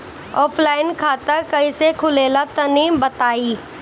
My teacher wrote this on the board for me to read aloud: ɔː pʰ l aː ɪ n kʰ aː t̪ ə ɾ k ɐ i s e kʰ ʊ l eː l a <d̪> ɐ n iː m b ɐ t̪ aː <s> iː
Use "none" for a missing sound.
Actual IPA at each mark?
t̪, none

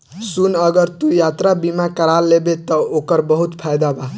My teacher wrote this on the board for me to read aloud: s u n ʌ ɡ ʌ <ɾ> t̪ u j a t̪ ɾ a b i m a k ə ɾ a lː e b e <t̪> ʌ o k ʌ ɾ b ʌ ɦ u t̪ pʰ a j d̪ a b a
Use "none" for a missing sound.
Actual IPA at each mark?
ɾ, t̪

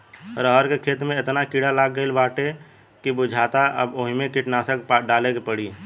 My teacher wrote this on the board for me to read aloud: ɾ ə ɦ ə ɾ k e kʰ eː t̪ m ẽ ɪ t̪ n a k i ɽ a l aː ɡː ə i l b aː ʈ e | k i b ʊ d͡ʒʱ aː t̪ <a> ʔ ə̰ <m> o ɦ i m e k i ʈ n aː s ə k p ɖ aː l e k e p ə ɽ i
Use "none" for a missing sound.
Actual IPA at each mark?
a, b

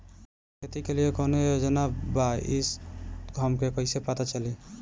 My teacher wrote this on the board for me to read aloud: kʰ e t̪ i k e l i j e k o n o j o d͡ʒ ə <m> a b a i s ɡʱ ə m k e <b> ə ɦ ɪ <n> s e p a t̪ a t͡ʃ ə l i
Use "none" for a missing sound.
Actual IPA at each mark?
n, p, none

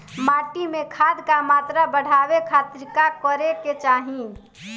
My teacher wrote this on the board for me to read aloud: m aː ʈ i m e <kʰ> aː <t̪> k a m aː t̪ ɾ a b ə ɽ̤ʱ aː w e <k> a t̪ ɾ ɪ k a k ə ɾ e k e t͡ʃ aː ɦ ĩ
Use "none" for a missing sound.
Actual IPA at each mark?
kʰ, d̪, kʰ

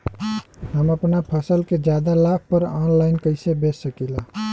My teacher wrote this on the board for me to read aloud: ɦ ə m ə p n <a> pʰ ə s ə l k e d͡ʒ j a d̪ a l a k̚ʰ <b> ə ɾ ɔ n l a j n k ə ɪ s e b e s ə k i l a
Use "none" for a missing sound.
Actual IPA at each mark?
a, p

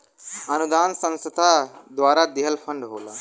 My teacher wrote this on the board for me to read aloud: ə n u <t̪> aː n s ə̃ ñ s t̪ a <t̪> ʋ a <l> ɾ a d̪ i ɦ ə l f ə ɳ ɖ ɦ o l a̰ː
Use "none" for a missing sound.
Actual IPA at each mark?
d̪, d̪, none

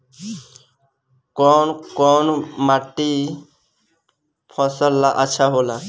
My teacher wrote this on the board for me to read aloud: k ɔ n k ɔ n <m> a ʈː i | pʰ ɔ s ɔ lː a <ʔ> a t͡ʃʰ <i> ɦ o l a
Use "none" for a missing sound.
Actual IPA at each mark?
m, ʔ, a

